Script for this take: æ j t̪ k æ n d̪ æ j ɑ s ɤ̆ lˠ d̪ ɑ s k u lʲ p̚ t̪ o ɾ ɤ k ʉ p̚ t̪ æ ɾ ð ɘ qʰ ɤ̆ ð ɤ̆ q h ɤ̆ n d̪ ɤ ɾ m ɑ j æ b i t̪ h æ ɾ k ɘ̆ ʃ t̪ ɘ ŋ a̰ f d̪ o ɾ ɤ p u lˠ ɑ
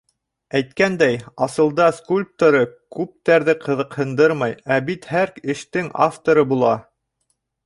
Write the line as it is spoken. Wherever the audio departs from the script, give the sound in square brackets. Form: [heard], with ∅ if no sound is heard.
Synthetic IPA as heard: æ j t̪ k æ n d̪ æ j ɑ s ɤ̆ lˠ d̪ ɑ s k u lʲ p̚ t̪ o ɾ ɤ k ʉ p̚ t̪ æ ɾ ð ɘ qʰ ɤ̆ ð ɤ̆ q h ɤ̆ n d̪ ɤ ɾ m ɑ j æ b i t̪ h æ ɾ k ɘ̆ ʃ t̪ ɘ ŋ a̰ f [t̪] o ɾ ɤ [b] u lˠ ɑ